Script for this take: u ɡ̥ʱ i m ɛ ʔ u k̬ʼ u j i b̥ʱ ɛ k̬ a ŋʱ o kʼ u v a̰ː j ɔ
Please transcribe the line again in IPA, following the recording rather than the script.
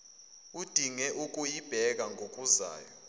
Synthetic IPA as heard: u d̥ʱ i ŋ ɛ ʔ u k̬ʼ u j i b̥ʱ ɛ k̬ a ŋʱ o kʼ u z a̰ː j ɔ